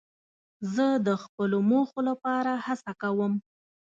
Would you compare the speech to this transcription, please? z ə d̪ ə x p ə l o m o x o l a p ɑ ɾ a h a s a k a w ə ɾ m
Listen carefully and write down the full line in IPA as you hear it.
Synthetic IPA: z ə d̪ ə x p ə l o m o x o l a p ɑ ɾ a h a s a k a w ə m